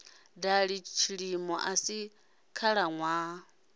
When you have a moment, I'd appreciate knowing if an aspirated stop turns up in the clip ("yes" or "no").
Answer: yes